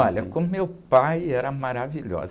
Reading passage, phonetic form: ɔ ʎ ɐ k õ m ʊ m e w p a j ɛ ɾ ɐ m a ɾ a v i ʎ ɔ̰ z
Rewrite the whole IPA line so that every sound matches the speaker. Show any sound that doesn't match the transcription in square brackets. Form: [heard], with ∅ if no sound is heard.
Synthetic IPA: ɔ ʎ ɐ k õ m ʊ m e w p a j ɛ ɾ ɐ m a ɾ a v i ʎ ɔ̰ z